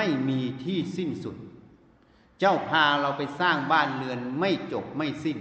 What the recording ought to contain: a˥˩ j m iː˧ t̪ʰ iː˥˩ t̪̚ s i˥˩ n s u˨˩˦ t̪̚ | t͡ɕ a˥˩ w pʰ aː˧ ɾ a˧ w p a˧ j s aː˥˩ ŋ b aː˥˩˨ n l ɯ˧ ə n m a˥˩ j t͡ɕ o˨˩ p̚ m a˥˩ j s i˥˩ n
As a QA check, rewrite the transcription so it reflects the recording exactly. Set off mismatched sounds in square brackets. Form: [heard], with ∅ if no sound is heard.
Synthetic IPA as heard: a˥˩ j m iː˧ t̪ʰ iː˥˩ [∅] s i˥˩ n s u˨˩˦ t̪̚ | t͡ɕ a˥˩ w pʰ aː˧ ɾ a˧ w p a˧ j s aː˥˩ ŋ b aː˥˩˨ n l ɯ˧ ə n m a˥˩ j t͡ɕ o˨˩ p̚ m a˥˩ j s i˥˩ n